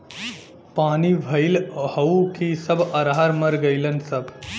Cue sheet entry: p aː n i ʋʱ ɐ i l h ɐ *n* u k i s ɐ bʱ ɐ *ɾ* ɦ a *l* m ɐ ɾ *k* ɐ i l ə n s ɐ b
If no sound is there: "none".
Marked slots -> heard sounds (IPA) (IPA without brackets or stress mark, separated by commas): none, ɾ, ɾ, ɡ